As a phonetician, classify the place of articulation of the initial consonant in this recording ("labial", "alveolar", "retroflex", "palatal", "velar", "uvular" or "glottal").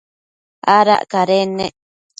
alveolar